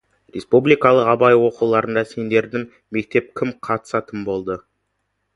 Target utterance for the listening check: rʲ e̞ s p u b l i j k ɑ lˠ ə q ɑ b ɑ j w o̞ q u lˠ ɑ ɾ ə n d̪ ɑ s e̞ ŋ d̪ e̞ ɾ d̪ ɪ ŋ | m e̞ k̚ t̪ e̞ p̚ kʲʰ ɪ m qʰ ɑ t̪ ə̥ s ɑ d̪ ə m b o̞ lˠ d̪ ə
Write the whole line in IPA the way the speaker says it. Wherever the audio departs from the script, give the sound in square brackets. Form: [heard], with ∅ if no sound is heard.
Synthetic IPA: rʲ e̞ s p u b l i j k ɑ lˠ ə q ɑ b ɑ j w o̞ q u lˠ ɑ ɾ ə n d̪ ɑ s e̞ [n] d̪ e̞ ɾ d̪ ɪ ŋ | m e̞ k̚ t̪ e̞ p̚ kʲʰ ɪ m qʰ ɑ t̪ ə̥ s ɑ [t̪] ə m b o̞ lˠ d̪ ə